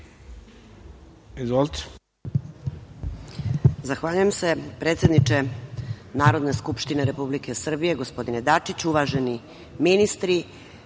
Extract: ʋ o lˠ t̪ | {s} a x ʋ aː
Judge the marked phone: incorrect: z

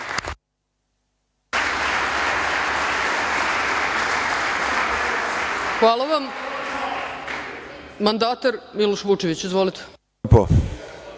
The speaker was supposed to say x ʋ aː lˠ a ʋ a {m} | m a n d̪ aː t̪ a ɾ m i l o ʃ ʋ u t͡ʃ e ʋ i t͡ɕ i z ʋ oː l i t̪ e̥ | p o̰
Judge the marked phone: correct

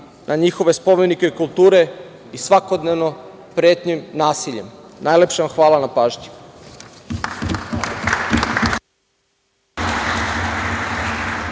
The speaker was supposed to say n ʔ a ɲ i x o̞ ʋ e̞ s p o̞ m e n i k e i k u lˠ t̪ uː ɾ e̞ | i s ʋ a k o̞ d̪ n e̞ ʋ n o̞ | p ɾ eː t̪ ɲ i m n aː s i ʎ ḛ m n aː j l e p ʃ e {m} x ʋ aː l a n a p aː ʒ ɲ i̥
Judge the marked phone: correct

